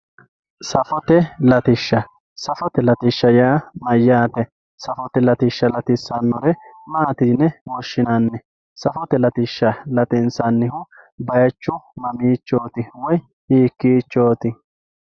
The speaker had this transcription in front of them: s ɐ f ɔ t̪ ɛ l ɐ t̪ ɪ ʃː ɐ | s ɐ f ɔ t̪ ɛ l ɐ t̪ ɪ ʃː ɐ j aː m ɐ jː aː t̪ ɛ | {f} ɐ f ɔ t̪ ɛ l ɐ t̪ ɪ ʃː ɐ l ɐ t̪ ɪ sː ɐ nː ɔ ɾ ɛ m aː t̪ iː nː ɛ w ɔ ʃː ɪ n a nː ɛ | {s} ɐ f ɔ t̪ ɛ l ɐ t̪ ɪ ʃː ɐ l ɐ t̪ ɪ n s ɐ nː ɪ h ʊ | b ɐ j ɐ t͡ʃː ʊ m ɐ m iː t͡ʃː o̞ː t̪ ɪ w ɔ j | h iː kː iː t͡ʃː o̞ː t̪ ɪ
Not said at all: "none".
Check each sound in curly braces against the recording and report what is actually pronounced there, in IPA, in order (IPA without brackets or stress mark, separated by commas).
s, s